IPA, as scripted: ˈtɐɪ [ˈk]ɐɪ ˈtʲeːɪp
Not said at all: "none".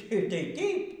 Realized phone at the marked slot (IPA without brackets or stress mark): t